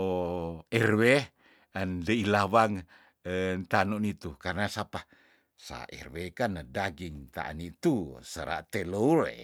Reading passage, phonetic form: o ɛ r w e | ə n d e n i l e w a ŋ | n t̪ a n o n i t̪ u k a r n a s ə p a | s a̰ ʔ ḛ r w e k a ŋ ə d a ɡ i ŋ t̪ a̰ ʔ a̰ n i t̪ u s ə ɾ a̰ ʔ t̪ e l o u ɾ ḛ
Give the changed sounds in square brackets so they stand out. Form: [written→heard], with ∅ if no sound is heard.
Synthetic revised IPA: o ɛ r w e | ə n d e [n→∅] i l [e→a] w a ŋ | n t̪ a n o n i t̪ u k a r n a s [ə→a] p a | s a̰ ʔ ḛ r w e k a [ŋ→n] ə d a ɡ i ŋ t̪ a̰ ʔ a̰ n i t̪ u s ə ɾ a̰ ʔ t̪ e l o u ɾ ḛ